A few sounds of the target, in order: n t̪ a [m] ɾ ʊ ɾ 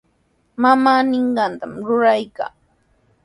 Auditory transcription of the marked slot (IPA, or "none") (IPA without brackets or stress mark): m